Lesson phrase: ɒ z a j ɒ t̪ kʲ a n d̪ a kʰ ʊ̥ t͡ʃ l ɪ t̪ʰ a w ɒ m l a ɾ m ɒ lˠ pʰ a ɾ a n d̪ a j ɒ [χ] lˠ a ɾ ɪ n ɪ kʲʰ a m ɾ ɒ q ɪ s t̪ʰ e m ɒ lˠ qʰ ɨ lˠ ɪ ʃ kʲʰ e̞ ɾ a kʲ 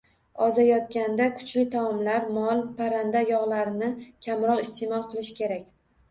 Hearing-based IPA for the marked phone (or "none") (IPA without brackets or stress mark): ʁ